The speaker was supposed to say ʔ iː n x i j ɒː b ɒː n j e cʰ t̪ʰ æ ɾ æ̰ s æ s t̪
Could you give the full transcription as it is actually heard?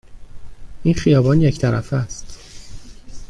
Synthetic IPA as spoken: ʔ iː n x i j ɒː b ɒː n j e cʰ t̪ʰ æ ɾ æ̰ f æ s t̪

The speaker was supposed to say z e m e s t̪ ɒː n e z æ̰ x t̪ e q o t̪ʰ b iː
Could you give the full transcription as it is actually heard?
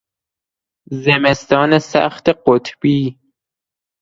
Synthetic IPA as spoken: z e m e s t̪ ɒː n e s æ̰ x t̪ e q o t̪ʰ b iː

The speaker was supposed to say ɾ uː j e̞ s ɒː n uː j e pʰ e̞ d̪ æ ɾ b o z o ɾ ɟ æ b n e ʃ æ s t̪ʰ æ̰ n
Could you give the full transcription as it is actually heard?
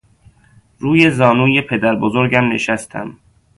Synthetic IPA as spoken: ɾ uː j e̞ z ɒː n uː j e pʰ e̞ d̪ æ ɾ b o z o ɾ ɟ æ m n e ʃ æ s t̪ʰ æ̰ m

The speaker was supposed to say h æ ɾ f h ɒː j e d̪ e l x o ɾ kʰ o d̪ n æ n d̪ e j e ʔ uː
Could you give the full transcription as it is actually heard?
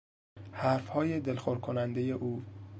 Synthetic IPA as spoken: h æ ɾ f h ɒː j e d̪ e l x o ɾ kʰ o n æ n d̪ e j e ʔ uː

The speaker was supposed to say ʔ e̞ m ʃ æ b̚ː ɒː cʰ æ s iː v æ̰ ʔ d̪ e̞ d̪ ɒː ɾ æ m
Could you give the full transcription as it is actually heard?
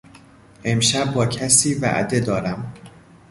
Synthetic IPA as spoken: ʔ e̞ m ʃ æ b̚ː ɒː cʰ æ s iː v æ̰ ʔ d̪ e̞ d̪ ɒː ɾ æ m

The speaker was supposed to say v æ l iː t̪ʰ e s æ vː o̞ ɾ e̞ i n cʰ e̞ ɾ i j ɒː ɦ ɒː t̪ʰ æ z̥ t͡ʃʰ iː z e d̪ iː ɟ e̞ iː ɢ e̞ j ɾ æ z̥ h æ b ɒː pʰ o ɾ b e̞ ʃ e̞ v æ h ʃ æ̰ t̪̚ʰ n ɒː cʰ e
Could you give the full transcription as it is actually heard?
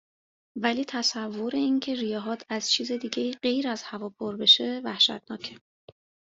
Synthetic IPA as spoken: v æ l iː t̪ʰ æ s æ vː o̞ ɾ e̞ i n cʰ e̞ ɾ i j ɒː ɦ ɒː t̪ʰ æ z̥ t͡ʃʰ iː z e d̪ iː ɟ e̞ iː ɢ e̞ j ɾ æ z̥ h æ v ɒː pʰ o ɾ b e̞ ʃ e̞ v æ h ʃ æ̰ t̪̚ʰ n ɒː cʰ e

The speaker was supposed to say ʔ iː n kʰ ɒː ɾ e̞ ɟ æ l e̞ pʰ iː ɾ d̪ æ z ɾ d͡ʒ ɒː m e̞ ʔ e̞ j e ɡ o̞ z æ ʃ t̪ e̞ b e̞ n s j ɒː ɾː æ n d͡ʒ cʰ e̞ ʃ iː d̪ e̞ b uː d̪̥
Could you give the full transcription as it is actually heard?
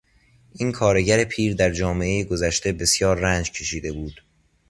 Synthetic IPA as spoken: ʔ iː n kʰ ɒː ɾ e̞ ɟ æ ɾ e̞ pʰ iː ɾ d̪ æ ɾ d͡ʒ ɒː m e̞ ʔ e̞ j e ɡ o̞ z æ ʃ t̪ e̞ b e̞ s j ɒː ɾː æ n d͡ʒ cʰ e̞ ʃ iː d̪ e̞ b uː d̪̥

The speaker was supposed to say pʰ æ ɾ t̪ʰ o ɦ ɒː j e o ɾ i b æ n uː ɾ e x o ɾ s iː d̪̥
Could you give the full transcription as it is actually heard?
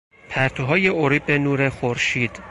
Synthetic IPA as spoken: pʰ æ ɾ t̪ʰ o ɦ ɒː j e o ɾ i b e n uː ɾ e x o ɾ ʃ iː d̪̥

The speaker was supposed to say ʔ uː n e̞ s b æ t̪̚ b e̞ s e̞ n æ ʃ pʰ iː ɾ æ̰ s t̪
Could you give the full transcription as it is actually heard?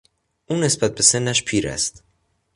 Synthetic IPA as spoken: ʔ uː n e̞ s b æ t̪̚ b e̞ s e̞ nː æ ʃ pʰ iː ɾ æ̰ s t̪

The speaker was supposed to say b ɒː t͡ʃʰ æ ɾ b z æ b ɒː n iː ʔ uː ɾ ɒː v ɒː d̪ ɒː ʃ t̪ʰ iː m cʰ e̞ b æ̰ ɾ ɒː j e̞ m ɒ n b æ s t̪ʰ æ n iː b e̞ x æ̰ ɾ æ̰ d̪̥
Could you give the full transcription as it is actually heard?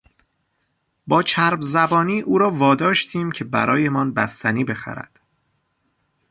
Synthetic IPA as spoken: b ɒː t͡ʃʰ æ ɾ b z æ b ɒː n iː ʔ uː ɾ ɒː v ɒː d̪ ɒː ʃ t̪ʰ iː m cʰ e̞ b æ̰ ɾ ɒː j e̞ m ɒ n b æ s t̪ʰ æ n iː b e̞ x æ̰ ɾ æ̰ d̪̥

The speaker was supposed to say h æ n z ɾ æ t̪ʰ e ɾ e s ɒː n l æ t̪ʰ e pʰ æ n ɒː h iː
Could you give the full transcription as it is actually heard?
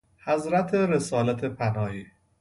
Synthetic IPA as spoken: h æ z ɾ æ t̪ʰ e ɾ e s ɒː l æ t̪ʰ e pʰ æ n ɒː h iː

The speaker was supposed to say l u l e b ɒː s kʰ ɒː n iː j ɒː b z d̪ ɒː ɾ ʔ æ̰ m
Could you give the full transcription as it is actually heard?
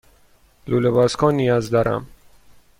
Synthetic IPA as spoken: l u l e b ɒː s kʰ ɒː n i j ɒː z d̪ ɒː ɾ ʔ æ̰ m

